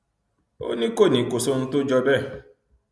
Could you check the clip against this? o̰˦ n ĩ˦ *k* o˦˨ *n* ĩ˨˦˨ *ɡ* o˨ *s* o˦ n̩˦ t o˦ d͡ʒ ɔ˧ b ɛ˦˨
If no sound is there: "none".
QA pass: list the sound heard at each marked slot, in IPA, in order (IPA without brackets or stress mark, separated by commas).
k, n, k, s